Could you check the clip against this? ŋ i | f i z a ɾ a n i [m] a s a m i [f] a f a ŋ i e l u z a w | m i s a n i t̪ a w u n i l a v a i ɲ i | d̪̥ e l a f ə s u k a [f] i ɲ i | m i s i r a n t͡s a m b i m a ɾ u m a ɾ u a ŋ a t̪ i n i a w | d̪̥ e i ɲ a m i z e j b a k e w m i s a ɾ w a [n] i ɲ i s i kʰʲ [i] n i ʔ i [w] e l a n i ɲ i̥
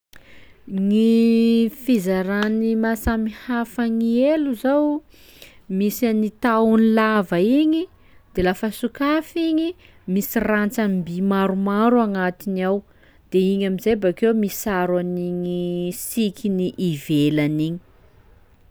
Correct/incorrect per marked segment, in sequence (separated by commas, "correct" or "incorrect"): correct, incorrect, correct, correct, correct, incorrect